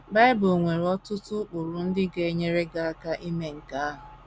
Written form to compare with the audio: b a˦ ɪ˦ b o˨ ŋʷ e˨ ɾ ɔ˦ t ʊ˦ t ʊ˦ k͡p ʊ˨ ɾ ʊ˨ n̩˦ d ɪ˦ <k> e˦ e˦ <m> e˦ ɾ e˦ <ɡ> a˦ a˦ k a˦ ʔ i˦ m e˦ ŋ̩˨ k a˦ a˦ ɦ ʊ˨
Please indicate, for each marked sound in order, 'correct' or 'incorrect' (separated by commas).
incorrect, incorrect, correct